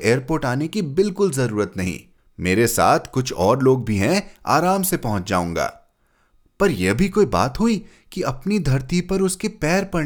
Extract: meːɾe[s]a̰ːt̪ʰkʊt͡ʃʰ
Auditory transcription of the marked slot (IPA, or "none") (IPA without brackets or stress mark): s